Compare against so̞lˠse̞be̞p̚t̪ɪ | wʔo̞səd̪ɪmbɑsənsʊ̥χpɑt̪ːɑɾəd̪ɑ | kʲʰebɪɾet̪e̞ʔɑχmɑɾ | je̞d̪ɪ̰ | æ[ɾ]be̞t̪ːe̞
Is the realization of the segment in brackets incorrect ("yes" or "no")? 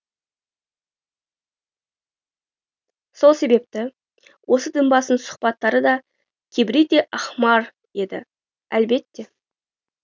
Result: yes